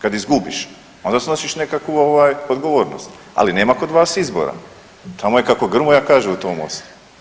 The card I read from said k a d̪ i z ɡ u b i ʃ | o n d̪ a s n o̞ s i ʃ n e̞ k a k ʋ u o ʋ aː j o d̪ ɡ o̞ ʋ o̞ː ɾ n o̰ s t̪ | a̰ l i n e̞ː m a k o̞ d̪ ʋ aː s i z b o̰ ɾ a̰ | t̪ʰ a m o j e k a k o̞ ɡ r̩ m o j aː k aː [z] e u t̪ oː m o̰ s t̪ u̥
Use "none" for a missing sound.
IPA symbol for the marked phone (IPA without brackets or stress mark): ʒ